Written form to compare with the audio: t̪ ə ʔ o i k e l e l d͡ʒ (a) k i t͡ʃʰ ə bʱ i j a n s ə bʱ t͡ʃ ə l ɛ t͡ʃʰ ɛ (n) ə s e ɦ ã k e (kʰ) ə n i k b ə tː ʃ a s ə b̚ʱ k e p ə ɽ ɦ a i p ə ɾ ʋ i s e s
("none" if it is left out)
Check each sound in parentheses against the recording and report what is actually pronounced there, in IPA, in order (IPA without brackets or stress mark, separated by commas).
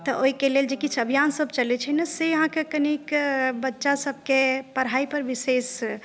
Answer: e, n, k